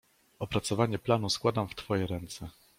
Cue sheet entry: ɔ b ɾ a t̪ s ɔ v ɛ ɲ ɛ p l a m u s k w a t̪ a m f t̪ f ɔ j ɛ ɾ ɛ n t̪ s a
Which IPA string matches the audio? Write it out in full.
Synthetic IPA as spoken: ɔ p ɾ a t̪ s ɔ v a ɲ ɛ p l a n u s k w a d̪ a m f t̪ f ɔ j ɛ ɾ ɛ n t̪ s ɛ